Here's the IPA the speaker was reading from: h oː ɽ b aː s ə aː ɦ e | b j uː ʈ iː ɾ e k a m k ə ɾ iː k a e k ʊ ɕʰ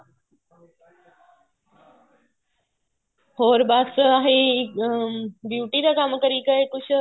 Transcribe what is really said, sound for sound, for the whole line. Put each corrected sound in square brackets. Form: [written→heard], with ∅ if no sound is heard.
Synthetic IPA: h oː [ɽ→ɾ] b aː s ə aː ɦ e | b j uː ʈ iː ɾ [e→a] k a m k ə ɾ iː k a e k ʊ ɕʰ